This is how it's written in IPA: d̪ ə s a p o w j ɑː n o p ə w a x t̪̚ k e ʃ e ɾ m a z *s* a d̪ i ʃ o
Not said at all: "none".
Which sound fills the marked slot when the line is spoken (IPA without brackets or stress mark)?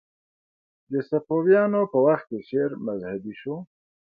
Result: h